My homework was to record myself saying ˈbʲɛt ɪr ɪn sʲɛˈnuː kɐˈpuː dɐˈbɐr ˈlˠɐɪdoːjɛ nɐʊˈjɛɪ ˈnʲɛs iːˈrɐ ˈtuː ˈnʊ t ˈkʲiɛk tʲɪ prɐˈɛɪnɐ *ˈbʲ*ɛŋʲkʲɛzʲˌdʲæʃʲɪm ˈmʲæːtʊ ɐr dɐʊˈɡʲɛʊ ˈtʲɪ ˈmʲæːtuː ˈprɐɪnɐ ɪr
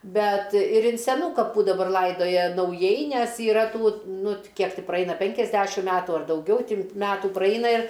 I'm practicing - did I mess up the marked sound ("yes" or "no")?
yes